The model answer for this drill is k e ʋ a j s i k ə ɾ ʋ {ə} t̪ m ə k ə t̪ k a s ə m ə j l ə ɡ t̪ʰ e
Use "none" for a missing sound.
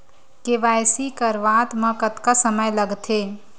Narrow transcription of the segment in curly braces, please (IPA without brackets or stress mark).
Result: a